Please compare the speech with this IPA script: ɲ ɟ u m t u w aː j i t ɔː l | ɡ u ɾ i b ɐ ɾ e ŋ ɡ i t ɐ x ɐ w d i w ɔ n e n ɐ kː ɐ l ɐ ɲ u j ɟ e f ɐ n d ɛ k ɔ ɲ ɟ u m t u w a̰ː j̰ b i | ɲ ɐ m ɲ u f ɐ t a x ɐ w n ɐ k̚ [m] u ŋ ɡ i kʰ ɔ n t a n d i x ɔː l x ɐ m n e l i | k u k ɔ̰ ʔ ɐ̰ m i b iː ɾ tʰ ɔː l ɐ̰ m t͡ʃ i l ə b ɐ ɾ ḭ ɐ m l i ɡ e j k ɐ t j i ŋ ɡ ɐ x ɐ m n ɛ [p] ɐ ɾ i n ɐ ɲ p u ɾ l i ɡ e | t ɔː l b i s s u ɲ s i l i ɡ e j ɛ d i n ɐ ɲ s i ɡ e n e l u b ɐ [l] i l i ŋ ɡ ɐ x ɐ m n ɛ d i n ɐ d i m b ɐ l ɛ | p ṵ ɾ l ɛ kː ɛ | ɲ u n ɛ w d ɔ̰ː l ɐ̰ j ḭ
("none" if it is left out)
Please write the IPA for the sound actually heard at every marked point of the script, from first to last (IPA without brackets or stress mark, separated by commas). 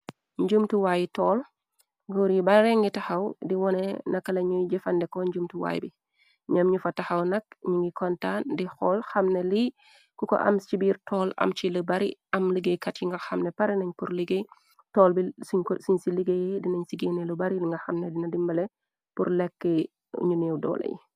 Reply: ɲ, p, ɾ